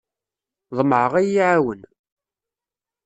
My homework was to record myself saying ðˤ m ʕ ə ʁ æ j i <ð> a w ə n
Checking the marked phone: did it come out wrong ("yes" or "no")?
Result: yes